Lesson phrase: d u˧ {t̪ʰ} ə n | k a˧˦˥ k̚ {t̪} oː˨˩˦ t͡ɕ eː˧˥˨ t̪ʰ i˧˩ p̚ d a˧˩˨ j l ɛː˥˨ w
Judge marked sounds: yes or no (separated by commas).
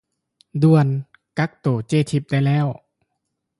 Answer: no, yes